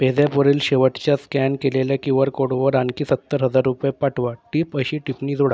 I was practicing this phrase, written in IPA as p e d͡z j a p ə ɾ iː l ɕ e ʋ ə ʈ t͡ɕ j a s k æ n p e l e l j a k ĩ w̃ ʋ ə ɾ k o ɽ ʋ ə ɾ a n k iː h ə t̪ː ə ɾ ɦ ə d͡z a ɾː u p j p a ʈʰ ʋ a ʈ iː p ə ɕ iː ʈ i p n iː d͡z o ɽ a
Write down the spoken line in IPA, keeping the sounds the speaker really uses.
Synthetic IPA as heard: p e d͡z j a p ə ɾ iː l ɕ e ʋ ə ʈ t͡ɕ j a s k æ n k e l e l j a k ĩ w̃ ʋ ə ɾ k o ɽ ʋ ə ɾ a n k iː s ə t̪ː ə ɾ ɦ ə d͡z a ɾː u p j p a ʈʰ ʋ a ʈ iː p ə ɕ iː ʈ i p n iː d͡z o ɽ a